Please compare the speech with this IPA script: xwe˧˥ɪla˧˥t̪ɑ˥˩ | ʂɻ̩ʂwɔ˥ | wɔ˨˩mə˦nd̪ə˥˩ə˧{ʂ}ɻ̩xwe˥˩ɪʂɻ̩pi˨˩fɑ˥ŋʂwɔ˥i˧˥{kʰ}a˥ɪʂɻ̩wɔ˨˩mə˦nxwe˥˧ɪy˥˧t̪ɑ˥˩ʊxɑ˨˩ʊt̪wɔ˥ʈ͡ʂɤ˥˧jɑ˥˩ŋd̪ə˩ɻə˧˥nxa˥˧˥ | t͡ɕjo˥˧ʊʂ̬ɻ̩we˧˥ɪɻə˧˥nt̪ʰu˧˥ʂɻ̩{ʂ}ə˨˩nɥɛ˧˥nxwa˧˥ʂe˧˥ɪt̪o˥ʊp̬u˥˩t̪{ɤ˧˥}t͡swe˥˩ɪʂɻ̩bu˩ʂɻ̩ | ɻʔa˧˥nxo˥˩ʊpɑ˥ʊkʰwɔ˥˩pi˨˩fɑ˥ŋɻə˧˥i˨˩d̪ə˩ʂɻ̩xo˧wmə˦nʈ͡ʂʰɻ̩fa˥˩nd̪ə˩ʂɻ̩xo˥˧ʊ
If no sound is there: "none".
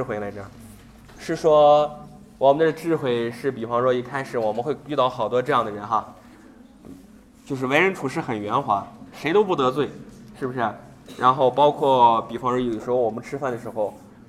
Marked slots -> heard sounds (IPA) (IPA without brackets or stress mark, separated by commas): ʈ͡ʂ, kʰ, x, ɤ˧˥